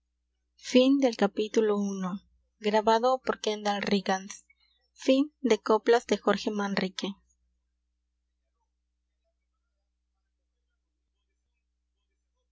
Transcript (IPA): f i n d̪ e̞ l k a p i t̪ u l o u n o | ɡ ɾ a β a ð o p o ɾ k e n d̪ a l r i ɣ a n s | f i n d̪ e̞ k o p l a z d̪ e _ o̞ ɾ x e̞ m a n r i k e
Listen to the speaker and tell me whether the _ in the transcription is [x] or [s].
x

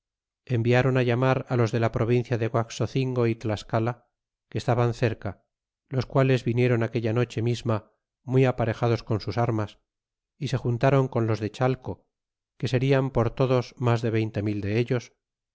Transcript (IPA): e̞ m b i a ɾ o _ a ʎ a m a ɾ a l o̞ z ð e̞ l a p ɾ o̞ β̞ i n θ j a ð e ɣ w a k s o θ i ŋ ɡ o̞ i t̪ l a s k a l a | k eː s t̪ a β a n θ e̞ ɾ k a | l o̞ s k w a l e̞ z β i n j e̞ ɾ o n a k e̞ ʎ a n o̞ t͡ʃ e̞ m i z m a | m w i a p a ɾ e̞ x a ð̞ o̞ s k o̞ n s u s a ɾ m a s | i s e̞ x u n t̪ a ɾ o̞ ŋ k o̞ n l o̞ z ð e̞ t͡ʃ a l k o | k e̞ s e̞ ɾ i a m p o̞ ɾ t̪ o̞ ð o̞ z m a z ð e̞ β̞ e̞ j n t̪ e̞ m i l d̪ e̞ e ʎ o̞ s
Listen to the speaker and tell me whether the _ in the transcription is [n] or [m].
n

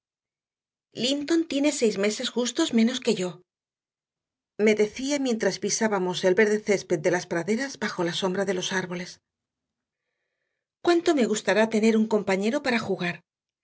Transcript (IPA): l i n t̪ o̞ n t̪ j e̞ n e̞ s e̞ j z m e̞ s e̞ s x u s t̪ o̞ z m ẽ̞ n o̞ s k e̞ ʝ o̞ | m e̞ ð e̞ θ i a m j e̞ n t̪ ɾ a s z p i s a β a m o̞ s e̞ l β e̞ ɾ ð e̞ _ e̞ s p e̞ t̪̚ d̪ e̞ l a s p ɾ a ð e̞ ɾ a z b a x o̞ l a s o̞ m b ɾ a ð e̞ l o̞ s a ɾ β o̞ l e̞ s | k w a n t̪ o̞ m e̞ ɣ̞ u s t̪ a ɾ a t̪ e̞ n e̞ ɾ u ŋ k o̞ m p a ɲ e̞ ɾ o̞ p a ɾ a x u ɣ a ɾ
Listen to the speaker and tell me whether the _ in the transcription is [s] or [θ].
θ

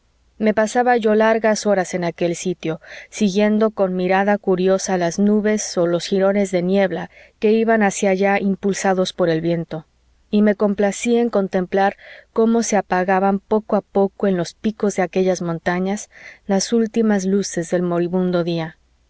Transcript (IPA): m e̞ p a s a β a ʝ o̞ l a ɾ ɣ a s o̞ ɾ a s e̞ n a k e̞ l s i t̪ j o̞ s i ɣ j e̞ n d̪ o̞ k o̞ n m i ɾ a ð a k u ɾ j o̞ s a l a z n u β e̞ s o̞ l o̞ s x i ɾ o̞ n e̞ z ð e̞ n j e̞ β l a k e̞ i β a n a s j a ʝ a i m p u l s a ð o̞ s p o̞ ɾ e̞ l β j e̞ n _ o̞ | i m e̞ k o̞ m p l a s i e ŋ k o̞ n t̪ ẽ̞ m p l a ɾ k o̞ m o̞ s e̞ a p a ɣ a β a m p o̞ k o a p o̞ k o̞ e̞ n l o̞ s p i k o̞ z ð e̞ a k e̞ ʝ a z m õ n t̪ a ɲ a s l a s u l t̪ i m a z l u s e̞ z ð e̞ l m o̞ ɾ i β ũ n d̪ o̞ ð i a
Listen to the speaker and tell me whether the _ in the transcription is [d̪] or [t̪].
t̪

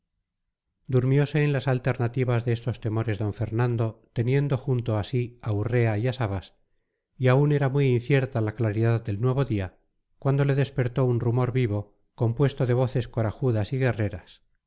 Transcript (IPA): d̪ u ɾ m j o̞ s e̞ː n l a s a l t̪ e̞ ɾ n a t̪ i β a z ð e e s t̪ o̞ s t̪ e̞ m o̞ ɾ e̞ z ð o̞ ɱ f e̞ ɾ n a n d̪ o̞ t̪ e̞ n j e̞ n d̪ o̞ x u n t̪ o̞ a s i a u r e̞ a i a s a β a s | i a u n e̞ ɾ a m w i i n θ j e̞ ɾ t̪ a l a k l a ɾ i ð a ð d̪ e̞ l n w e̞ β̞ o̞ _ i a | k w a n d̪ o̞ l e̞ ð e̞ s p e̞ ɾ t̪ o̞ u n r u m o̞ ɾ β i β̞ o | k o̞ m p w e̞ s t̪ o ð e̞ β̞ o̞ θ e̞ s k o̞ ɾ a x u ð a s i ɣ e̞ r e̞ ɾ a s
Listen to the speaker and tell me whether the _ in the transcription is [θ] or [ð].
ð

